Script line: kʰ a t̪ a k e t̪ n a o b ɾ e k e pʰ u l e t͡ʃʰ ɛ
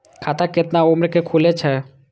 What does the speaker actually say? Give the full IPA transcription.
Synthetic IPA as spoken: kʰ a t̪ a k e t̪ n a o m ɾ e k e kʰ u l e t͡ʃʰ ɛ

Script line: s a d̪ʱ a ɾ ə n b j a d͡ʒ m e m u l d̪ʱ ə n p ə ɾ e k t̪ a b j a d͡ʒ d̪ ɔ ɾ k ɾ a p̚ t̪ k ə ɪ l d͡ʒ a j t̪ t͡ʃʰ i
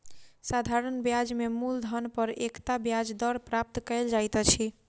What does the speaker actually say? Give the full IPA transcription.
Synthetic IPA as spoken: s a d̪ʱ a ɾ ə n b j a d͡ʒ m e m u l d̪ʱ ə n p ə ɾ e k t̪ a b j a d͡ʒ d̪ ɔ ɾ p ɾ a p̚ t̪ k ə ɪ l d͡ʒ a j t̪ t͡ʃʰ i

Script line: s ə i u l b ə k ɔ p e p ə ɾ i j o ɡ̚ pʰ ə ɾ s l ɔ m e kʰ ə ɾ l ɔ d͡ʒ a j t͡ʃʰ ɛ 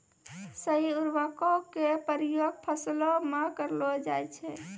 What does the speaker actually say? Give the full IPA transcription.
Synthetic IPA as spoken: s ə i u ɾ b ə k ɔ k e p ə ɾ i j o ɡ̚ pʰ ə s l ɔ m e k ə ɾ l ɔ d͡ʒ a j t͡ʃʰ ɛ

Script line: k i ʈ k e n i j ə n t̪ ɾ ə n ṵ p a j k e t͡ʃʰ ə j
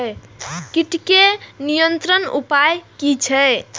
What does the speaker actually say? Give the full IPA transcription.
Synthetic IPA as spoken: k i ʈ k e n i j ə n t̪ ɾ ə n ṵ p a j k i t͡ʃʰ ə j

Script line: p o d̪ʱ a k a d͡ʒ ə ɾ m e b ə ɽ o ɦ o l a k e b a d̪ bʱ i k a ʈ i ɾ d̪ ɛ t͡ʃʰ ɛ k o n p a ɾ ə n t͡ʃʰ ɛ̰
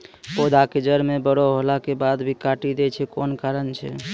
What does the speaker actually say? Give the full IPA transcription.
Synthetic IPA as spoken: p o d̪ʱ a k e d͡ʒ ə ɾ m e b ə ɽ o ɦ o l a k e b a d̪ bʱ i k a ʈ i d̪ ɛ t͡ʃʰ ɛ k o n k a ɾ ə n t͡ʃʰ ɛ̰

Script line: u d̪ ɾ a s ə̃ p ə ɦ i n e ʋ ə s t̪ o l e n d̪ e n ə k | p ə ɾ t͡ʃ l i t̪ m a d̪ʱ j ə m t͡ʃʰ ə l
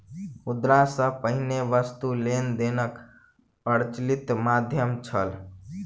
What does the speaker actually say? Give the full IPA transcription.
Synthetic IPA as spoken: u d̪ ɾ a s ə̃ p ə ɦ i n e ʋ ə s t̪ u l e n d̪ e n ə k | p ə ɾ t͡ʃ l i t̪ m a d̪ʱ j ə m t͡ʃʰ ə l

